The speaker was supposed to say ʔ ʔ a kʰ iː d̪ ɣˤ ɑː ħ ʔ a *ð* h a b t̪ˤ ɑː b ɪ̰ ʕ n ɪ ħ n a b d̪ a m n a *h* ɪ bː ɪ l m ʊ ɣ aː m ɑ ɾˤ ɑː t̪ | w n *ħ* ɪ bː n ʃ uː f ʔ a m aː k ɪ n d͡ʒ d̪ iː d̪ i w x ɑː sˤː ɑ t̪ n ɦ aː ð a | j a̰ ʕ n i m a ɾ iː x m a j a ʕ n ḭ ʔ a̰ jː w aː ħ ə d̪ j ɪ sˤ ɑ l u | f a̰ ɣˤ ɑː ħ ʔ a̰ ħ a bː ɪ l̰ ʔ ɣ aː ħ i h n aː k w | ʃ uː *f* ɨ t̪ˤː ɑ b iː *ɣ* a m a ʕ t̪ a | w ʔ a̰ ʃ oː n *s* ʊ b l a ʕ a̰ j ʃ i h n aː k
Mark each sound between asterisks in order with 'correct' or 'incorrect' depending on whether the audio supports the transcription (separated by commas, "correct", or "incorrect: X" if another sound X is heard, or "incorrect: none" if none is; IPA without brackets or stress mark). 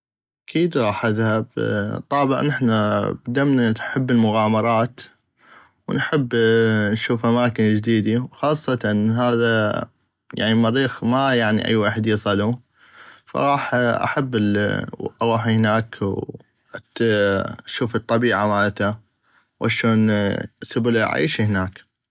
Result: correct, incorrect: ħ, correct, correct, incorrect: ʕ, correct